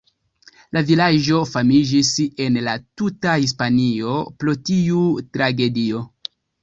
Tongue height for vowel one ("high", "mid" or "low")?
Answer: low